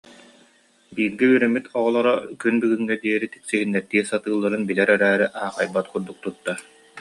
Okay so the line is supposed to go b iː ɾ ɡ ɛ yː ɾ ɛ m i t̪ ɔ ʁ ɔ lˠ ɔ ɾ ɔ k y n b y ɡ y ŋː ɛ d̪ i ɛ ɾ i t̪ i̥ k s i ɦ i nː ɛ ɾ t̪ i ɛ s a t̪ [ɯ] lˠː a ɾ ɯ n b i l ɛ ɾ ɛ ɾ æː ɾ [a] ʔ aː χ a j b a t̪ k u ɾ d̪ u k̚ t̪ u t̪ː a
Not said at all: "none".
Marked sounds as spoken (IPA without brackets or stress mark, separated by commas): ɯː, i